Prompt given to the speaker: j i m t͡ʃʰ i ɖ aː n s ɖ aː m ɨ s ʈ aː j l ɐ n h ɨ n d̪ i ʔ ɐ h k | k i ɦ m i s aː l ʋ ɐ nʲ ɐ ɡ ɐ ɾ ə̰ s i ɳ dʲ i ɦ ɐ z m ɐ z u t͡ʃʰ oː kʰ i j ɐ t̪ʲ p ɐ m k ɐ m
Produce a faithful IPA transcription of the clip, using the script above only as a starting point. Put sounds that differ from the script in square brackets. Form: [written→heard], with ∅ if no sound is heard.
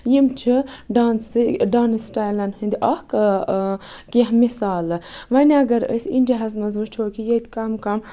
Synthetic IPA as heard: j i m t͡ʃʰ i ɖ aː n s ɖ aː [m→n] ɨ s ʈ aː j l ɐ n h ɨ n d̪ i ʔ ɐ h k | k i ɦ m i s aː l ʋ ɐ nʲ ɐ ɡ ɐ ɾ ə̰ s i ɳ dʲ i ɦ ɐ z m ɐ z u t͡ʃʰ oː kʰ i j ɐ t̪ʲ [p→k] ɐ m k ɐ m